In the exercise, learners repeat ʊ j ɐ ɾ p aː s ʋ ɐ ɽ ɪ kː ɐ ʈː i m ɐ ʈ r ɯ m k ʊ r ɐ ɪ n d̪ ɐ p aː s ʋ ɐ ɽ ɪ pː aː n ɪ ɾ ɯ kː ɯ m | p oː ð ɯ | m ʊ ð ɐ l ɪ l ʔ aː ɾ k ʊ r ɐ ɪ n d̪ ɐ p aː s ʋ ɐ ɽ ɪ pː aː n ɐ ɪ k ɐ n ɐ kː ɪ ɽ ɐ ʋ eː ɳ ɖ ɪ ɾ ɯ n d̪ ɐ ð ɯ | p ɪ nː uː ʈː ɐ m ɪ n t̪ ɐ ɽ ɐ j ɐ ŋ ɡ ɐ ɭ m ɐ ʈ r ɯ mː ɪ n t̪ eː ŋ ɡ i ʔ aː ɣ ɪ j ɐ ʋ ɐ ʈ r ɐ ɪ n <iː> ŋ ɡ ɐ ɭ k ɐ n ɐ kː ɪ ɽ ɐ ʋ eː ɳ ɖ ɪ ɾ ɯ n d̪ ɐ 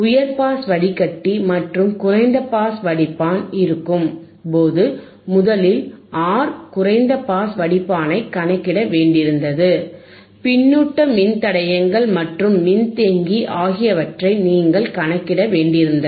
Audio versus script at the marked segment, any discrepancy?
no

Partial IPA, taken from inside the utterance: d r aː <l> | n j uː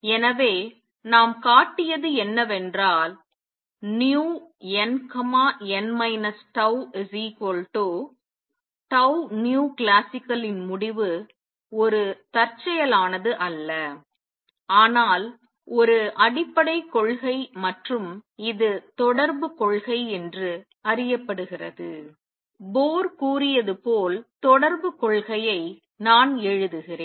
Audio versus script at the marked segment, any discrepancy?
no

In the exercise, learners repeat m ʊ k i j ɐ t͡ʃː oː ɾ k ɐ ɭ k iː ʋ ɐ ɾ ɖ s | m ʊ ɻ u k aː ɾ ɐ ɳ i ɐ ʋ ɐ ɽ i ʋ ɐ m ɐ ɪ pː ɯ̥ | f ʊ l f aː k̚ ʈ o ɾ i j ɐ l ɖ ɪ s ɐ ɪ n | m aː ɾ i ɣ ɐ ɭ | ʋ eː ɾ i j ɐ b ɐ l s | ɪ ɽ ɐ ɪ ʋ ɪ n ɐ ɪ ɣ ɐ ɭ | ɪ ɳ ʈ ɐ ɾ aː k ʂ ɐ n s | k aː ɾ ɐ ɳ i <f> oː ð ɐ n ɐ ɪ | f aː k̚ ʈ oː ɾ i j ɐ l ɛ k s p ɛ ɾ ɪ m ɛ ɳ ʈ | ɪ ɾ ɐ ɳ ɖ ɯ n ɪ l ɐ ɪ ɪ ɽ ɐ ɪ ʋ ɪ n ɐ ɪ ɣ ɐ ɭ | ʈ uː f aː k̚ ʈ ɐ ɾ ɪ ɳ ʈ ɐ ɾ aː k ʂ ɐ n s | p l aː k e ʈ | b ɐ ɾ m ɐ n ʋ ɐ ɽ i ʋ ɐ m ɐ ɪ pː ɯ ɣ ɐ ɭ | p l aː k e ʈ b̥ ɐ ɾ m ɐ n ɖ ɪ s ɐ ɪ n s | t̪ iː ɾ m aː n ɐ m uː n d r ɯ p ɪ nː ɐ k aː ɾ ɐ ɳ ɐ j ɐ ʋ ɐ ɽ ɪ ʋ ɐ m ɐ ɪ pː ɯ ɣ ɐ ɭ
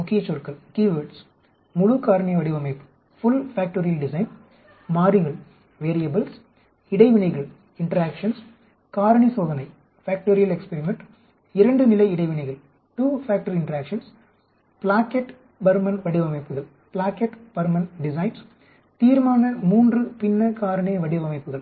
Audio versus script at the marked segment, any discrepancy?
yes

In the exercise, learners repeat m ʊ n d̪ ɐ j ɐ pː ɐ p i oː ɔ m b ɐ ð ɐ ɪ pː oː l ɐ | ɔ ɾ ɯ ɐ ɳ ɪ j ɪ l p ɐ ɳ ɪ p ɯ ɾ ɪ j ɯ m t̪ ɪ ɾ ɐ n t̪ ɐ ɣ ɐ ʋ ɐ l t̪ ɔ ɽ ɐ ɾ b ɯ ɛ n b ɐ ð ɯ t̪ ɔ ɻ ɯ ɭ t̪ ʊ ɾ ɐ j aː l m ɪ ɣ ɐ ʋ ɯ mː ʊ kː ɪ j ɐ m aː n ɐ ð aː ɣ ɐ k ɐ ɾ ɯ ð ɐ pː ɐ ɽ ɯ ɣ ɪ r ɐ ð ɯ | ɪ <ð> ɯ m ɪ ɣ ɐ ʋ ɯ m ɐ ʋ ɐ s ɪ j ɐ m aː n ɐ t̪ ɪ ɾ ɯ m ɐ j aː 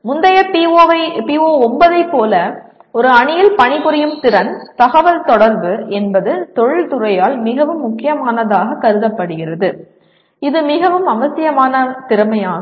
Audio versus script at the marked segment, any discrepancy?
no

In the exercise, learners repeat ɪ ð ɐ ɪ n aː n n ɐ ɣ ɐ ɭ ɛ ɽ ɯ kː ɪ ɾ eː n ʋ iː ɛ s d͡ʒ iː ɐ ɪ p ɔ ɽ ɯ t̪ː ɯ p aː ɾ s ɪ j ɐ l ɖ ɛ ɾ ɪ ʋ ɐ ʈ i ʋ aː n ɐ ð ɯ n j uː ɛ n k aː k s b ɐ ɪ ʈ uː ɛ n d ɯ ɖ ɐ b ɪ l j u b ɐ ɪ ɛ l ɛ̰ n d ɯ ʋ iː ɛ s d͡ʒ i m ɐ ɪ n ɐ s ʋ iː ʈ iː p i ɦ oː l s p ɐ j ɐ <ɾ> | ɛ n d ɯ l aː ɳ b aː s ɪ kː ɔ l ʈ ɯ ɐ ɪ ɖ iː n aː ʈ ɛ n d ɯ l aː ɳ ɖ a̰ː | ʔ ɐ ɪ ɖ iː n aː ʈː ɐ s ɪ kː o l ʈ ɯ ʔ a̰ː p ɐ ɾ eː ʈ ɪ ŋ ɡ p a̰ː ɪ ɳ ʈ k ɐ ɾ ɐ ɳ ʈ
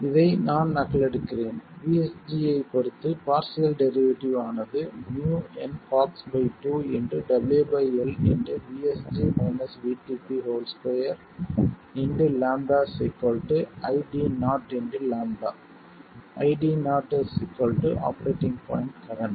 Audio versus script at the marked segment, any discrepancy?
no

